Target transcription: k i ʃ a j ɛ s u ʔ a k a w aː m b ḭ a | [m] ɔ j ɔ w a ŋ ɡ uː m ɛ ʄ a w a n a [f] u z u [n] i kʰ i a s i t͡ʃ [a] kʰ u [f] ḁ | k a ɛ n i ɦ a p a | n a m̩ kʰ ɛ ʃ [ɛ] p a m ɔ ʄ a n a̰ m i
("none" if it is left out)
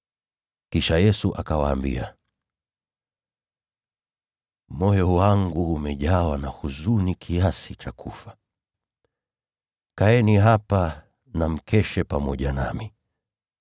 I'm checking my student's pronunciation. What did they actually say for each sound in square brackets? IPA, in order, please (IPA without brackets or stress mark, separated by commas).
m, h, n, a, f, ɛ